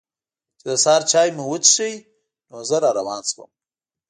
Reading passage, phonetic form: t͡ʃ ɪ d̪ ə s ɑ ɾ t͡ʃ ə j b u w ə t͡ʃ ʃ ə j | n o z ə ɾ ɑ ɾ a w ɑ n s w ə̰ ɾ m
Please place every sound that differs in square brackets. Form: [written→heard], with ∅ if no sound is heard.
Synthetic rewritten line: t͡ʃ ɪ d̪ ə s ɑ ɾ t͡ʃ [ə→ɑ] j [b→m] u w ə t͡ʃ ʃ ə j | n o z ə ɾ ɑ ɾ a w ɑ n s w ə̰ [ɾ→∅] m